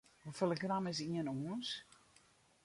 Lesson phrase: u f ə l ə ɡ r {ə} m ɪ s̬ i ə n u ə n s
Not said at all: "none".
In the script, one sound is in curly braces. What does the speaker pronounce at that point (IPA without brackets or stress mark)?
a